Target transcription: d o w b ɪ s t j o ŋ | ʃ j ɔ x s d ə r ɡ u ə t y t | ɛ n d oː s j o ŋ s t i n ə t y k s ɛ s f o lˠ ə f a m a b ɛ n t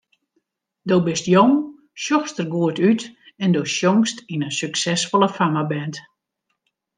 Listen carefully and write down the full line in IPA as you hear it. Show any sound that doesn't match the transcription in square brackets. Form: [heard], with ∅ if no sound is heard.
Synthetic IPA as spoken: d o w b ɪ s t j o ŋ | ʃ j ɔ x s [t] ə r ɡ u ə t y t | ɛ n d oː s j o ŋ s t i n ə [s] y k s ɛ s f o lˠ ə f a m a b ɛ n t